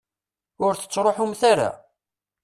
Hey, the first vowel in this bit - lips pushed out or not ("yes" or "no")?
yes